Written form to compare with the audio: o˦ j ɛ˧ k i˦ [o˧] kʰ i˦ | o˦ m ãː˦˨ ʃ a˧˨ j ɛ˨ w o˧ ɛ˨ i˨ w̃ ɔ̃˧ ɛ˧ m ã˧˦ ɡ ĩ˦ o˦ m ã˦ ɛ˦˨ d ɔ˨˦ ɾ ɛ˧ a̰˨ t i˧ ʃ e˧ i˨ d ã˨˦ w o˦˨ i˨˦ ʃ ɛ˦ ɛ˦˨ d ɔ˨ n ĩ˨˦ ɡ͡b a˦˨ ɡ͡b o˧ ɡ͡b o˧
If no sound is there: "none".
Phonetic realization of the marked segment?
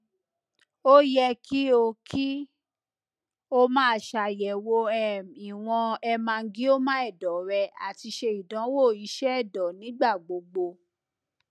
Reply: o˧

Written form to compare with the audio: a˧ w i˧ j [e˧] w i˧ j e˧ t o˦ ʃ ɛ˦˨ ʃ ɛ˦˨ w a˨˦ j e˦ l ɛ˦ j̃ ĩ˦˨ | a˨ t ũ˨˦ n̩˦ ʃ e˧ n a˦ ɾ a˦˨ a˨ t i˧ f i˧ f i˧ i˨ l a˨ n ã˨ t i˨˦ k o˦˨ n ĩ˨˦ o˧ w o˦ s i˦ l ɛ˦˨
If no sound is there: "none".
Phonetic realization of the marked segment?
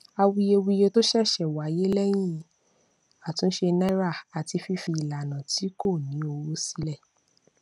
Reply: e˧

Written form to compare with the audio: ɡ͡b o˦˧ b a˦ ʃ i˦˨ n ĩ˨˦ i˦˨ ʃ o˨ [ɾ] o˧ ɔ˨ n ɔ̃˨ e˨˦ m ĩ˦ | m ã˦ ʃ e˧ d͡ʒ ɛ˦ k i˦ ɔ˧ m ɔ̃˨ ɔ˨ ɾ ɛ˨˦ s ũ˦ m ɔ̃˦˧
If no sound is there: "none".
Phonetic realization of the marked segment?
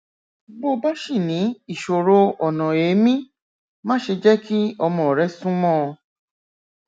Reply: ɾ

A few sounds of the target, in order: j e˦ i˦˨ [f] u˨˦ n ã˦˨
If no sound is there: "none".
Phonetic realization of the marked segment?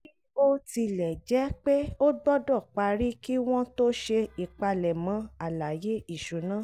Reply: ʃ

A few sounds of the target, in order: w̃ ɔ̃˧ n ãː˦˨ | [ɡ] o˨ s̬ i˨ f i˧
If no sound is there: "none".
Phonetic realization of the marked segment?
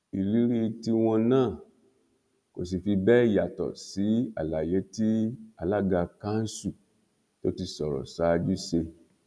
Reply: k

